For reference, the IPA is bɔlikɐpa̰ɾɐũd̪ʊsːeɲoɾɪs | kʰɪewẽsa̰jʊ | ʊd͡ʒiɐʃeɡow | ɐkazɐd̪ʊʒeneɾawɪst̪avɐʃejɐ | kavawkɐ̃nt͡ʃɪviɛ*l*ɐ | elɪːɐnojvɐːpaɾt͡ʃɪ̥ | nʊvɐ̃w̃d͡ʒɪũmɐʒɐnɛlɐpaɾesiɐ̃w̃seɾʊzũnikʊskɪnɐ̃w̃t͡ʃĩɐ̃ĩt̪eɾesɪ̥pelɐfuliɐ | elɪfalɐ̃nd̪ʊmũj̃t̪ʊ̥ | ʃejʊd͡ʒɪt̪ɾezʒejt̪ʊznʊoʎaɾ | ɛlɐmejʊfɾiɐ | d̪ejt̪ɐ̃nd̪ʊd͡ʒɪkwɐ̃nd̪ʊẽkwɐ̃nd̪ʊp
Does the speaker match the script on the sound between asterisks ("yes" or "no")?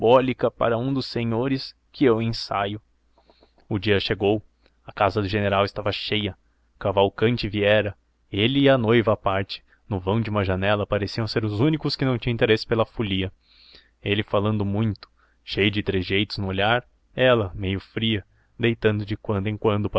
no